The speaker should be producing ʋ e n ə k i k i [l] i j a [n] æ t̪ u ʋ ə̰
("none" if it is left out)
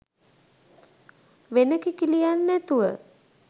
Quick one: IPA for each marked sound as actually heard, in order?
l, nː

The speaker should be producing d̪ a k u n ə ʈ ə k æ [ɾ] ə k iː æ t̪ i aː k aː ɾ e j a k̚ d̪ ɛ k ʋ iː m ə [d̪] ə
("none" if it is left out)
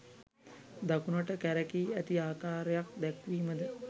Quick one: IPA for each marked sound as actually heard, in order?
ɾ, d̪

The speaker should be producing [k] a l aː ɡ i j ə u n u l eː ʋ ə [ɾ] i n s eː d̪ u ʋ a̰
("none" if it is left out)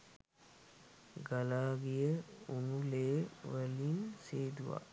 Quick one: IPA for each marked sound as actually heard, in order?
ɡ, l

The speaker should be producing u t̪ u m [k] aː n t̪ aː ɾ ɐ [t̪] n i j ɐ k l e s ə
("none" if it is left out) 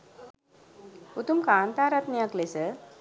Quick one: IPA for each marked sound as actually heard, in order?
k, t̪

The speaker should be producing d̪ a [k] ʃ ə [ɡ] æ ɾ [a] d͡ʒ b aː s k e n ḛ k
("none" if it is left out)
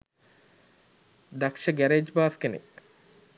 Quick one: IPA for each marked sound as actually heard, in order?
k, ɡ, e

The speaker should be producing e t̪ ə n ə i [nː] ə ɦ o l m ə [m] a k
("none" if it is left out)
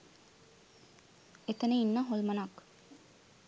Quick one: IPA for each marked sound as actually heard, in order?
nː, n

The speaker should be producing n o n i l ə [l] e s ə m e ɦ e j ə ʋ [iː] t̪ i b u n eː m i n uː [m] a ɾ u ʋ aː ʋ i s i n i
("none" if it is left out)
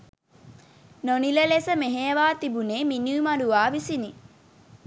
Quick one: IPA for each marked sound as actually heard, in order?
l, aː, m

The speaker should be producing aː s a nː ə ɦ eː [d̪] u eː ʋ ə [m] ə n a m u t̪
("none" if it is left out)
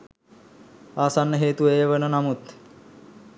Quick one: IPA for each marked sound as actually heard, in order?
t̪, n

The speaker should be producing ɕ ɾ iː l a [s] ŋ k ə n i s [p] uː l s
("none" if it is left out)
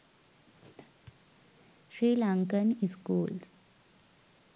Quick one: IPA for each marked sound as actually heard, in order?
none, k

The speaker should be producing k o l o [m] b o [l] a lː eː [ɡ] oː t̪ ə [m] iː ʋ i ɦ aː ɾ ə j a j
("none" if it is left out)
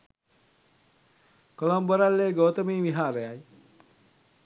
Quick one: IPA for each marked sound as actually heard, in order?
m, ɾ, ɡ, m

